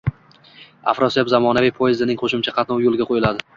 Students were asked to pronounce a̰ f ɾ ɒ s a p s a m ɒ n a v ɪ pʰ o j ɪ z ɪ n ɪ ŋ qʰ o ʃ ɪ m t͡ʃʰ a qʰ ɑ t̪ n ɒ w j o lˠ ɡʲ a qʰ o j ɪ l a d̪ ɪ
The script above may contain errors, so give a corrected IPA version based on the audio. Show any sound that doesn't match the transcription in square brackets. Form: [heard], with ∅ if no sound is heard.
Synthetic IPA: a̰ f ɾ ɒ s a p [z] a m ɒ n a v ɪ pʰ o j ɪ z ɪ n ɪ ŋ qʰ o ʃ ɪ m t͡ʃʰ a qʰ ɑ t̪ n ɒ w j o lˠ ɡʲ a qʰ o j ɪ l a d̪ ɪ